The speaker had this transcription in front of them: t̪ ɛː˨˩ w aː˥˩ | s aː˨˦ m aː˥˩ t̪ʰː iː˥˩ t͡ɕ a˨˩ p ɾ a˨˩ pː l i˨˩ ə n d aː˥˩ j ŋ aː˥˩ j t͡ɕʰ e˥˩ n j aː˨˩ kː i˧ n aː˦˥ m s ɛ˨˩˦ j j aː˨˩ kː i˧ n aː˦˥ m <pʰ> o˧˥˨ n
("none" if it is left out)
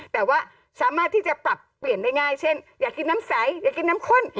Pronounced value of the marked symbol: kʰ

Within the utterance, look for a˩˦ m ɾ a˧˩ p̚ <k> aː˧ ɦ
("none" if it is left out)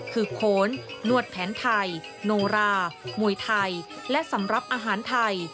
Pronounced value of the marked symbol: ʔ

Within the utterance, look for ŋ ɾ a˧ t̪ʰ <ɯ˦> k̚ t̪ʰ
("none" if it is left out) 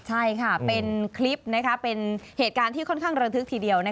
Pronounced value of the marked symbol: ɯ˦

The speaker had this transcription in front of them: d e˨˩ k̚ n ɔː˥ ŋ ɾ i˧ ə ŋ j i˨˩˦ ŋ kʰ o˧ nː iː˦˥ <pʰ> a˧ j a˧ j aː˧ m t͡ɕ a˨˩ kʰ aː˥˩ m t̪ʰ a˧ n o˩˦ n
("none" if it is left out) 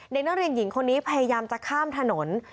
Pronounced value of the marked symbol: pʰ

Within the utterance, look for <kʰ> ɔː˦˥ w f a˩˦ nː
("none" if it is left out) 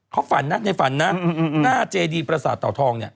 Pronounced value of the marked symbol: kʰ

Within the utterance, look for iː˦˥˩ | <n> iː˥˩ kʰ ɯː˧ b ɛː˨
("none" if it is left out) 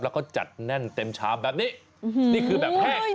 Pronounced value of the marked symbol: n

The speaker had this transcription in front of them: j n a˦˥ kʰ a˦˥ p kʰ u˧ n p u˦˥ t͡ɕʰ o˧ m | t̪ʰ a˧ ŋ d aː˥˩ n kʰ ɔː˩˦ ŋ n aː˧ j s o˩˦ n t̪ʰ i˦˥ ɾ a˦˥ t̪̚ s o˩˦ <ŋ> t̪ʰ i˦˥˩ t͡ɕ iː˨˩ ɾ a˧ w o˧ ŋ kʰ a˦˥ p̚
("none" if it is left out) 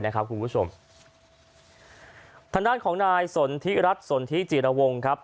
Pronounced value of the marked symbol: n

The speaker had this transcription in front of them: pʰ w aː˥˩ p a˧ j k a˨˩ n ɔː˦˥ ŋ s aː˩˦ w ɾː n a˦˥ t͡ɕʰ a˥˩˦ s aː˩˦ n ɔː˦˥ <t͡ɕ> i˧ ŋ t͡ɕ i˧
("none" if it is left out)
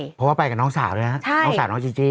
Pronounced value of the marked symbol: t͡ɕ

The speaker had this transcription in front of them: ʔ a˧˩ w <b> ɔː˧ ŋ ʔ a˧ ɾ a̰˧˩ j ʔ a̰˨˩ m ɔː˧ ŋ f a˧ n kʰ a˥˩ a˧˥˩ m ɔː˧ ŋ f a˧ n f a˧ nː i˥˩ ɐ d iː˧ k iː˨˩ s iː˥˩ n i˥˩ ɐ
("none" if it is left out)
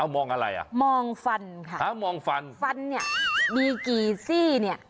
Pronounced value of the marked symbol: m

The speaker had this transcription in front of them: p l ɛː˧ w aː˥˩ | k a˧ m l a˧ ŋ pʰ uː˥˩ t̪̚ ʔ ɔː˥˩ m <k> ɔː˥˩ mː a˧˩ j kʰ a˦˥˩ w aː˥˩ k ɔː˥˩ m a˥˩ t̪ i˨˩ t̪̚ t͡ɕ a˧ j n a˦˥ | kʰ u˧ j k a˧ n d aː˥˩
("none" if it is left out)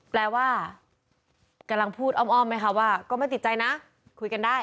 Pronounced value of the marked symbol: ʔ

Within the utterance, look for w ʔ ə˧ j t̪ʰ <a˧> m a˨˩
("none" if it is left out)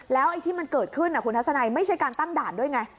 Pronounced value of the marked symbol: i˧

